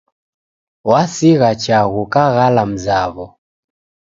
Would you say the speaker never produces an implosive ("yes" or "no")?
yes